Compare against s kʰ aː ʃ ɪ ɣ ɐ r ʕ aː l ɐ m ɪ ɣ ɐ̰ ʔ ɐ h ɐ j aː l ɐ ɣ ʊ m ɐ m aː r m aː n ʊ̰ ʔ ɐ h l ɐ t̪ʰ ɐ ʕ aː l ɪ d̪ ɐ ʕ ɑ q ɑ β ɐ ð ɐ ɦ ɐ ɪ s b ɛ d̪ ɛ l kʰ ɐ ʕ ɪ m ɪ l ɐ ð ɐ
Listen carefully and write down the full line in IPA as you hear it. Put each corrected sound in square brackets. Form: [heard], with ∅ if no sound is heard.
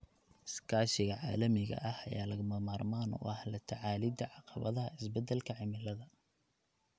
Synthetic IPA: s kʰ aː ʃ ɪ ɣ ɐ [∅] ʕ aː l ɐ m ɪ ɣ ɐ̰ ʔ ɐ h ɐ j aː l ɐ ɣ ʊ m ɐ m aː r m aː n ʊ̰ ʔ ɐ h l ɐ t̪ʰ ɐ ʕ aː l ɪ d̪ ɐ ʕ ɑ q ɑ β ɐ ð ɐ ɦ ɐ ɪ s b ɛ d̪ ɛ l kʰ ɐ ʕ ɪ m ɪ l ɐ ð ɐ